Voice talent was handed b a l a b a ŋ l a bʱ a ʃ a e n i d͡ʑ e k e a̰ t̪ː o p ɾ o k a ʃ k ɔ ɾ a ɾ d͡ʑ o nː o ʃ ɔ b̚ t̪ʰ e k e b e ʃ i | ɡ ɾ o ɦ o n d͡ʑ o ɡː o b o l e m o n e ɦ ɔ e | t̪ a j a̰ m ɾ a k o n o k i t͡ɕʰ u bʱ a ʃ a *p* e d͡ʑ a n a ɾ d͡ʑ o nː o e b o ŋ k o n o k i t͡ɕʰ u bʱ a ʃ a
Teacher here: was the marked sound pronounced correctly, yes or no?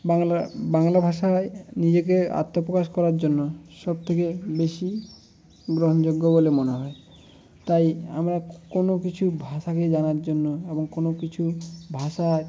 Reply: no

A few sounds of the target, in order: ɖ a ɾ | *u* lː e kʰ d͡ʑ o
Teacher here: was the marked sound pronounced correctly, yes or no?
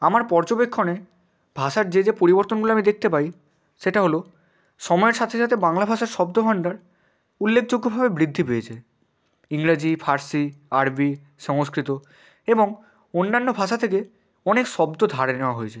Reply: yes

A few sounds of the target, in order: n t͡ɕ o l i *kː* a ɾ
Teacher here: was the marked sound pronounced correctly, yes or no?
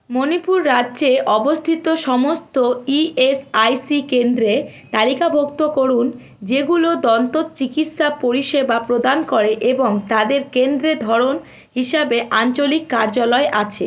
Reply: yes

